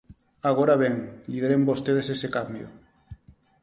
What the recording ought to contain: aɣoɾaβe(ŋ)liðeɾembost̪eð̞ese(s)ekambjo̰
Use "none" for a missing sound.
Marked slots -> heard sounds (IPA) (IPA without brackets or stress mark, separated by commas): ŋ, s